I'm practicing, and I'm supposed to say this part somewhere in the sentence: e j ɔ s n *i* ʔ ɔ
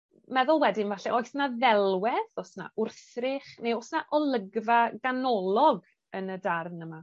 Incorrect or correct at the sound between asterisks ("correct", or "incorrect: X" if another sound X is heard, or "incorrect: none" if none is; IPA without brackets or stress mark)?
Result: incorrect: a